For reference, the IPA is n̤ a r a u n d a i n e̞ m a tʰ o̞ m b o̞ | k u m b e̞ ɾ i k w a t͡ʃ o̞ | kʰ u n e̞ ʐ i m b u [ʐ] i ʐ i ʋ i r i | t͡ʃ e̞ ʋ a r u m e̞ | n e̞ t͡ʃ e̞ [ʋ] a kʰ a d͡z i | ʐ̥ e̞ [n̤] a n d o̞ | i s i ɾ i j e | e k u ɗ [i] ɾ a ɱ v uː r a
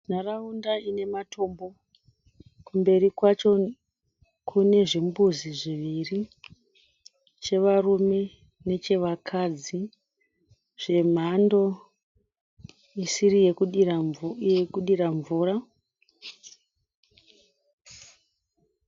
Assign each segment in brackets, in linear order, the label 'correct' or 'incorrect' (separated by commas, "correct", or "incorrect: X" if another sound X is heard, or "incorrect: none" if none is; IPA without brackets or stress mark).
incorrect: z, correct, incorrect: m̤, correct